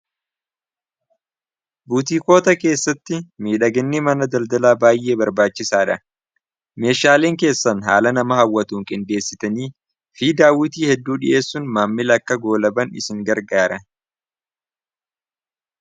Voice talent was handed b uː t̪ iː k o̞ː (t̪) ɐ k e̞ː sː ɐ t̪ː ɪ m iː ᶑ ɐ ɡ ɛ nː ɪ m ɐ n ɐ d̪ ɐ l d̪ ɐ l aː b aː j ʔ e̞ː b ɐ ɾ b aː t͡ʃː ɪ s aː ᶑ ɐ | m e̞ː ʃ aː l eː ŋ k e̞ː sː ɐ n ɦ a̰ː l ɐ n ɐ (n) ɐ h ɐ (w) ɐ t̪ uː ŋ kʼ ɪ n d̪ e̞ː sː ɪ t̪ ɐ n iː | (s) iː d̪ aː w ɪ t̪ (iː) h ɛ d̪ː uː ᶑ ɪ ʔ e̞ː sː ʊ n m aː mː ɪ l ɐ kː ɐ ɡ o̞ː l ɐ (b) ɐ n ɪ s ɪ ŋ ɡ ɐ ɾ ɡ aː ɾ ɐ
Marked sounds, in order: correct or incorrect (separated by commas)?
correct, incorrect, incorrect, incorrect, correct, correct